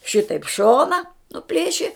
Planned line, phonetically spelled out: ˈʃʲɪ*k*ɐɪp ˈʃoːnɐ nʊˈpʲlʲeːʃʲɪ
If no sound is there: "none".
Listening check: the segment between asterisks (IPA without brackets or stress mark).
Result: t